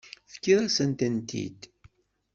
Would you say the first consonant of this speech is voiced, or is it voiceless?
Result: voiceless